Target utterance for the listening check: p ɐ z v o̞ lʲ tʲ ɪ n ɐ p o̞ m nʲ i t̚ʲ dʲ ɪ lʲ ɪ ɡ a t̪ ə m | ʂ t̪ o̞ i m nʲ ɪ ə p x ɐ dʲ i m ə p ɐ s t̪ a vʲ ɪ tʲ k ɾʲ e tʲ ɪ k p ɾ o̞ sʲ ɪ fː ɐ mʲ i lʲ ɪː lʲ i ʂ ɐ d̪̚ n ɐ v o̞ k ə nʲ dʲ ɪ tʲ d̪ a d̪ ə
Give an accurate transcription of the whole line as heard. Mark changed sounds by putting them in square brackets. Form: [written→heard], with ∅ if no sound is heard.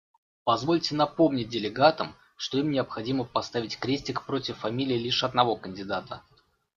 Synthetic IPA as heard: p ɐ z v o̞ lʲ tʲ ɪ n ɐ p o̞ m nʲ [i→ɪ] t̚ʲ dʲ ɪ lʲ ɪ ɡ a t̪ ə m | ʂ t̪ o̞ i m nʲ ɪ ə p x ɐ dʲ i m ə p ɐ s t̪ a vʲ ɪ tʲ k ɾʲ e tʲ ɪ k p ɾ o̞ [sʲ→tʲ] ɪ fː ɐ mʲ i lʲ ɪː lʲ i ʂ ɐ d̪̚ n ɐ v o̞ k ə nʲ dʲ ɪ [tʲ→∅] d̪ a [d̪→t̪] ə